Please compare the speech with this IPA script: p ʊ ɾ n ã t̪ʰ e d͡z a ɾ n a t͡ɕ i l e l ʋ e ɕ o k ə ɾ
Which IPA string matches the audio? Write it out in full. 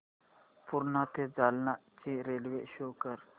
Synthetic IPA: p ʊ ɾ n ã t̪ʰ e d͡z a l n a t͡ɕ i ɾ e l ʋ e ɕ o k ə ɾ